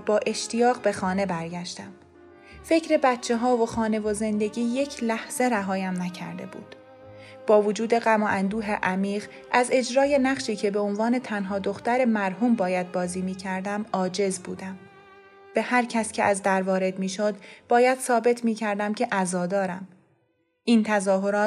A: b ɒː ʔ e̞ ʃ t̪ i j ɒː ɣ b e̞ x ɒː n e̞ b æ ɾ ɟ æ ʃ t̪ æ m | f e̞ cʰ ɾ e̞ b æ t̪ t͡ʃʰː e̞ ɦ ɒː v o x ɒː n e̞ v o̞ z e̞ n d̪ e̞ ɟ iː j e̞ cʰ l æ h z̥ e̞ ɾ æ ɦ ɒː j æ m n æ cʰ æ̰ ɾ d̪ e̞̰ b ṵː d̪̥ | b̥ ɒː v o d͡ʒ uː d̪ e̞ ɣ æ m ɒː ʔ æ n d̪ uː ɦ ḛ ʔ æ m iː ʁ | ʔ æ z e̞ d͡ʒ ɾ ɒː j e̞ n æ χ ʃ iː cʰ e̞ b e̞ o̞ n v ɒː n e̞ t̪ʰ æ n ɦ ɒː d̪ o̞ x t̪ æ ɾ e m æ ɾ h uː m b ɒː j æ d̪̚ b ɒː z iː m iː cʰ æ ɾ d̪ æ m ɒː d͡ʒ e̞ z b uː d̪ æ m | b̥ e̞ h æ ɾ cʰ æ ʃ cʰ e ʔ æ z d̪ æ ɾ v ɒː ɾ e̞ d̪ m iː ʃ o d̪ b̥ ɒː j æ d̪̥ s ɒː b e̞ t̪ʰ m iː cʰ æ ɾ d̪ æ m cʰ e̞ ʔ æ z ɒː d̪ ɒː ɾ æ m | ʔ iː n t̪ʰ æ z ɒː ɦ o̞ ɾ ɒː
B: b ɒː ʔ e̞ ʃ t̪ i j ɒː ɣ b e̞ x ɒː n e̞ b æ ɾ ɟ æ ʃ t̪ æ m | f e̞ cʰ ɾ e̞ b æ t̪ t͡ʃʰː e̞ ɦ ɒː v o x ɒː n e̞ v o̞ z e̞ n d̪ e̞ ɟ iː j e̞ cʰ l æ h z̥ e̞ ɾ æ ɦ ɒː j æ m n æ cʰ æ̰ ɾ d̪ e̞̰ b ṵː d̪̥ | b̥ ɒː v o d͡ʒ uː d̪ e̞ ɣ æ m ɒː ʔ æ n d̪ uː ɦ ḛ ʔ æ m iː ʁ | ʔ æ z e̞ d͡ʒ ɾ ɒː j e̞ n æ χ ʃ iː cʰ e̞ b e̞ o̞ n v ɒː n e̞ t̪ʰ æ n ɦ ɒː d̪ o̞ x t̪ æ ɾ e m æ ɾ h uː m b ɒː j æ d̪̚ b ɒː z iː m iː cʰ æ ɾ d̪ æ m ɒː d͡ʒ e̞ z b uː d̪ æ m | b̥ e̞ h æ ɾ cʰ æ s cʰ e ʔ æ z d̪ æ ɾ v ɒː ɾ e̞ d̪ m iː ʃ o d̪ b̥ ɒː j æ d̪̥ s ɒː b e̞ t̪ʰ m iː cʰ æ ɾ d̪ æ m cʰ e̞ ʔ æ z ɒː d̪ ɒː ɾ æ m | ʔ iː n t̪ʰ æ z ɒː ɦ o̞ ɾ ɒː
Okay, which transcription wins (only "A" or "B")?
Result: B